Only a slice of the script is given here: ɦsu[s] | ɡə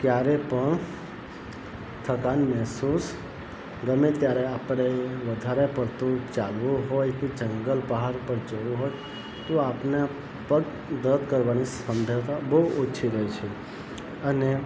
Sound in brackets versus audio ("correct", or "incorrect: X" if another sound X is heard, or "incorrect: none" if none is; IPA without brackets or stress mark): correct